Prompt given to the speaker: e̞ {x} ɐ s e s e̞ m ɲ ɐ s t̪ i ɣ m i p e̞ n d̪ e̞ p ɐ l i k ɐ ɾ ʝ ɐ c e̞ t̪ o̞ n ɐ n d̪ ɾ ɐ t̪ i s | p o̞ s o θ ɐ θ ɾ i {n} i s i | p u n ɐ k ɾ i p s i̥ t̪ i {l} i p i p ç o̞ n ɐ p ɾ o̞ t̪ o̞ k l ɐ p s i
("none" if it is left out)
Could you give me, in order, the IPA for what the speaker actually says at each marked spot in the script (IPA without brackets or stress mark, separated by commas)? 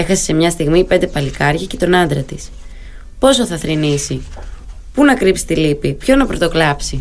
x, n, l